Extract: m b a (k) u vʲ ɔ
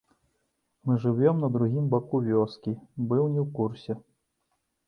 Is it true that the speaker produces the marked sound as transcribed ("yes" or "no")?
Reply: yes